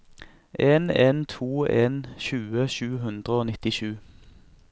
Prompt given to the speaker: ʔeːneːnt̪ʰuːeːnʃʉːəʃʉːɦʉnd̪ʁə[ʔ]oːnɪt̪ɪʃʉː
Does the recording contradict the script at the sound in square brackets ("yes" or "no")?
yes